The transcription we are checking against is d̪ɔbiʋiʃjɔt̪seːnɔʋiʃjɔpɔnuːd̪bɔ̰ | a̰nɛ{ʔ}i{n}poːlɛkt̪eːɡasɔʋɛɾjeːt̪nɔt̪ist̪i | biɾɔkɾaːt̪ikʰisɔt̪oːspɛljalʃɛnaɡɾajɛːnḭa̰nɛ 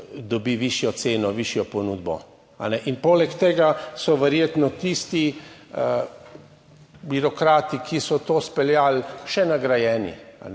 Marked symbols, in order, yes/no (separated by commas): yes, yes